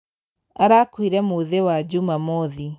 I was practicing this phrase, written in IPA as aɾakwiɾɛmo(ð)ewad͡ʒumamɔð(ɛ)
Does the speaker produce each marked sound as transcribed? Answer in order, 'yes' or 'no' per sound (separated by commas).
yes, no